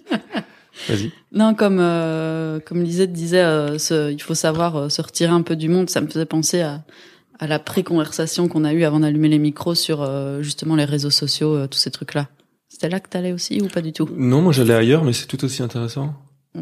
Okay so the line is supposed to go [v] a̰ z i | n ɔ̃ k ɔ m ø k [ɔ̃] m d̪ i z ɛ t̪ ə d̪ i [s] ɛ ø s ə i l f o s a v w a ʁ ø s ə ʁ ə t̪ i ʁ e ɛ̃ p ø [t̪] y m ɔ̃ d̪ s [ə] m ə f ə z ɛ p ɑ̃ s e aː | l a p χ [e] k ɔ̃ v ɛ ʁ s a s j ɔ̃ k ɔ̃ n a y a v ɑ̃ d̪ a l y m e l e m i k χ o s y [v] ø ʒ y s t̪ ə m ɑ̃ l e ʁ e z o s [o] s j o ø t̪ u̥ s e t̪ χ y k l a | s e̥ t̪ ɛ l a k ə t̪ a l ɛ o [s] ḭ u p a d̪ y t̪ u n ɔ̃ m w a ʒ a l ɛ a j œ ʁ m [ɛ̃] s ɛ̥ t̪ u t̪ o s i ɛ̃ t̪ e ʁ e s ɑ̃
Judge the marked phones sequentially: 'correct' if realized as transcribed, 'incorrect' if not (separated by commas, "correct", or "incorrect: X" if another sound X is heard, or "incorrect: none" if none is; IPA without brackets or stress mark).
correct, incorrect: ɔ, incorrect: z, incorrect: d̪, incorrect: a, correct, incorrect: ʁ, incorrect: ɔ, correct, incorrect: ɛ